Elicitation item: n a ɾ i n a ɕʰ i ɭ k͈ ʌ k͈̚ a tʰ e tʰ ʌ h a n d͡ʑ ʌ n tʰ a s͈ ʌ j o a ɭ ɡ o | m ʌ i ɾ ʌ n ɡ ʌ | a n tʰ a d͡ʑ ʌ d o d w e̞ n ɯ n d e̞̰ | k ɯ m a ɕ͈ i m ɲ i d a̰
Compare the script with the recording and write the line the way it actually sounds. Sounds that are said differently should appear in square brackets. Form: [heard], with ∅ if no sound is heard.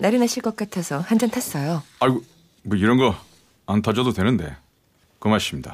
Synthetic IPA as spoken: n a ɾ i n a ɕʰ i ɭ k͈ ʌ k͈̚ a tʰ e [sʰ] ʌ h a n d͡ʑ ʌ n tʰ a s͈ ʌ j o a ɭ ɡ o | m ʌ i ɾ ʌ n ɡ ʌ | a n tʰ a d͡ʑ ʌ d o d w e̞ n ɯ n d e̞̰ | k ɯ m a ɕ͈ i m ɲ i d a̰